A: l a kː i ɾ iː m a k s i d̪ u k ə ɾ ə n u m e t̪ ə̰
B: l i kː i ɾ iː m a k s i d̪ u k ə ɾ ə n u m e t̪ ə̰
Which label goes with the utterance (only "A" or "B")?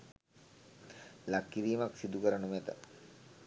A